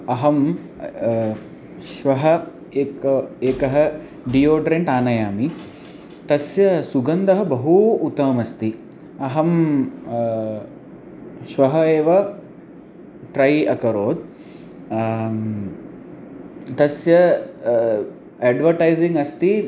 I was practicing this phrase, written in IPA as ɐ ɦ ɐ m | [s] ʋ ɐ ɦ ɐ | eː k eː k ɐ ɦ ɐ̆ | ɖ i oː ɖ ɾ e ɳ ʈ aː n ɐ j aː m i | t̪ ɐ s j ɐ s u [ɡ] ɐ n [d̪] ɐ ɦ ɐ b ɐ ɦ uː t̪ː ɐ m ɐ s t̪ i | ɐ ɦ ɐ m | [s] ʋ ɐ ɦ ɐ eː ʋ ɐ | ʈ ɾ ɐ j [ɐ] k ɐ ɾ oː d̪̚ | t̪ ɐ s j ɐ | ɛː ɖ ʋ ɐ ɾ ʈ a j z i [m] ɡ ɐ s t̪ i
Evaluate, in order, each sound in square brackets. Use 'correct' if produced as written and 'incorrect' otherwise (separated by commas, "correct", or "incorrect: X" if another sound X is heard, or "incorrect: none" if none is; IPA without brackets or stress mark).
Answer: incorrect: ʃ, correct, correct, incorrect: ʃ, correct, incorrect: ŋ